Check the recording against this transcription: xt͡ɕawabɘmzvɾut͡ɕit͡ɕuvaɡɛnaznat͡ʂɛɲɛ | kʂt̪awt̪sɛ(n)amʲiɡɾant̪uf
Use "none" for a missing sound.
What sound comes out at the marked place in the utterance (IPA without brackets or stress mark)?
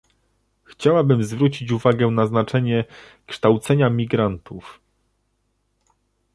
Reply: ɲ